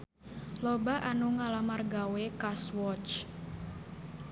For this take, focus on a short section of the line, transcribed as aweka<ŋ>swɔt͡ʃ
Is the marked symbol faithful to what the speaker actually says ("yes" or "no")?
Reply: no